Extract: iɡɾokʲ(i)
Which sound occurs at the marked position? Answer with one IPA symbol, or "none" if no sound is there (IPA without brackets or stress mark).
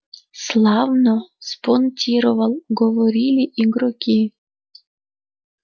i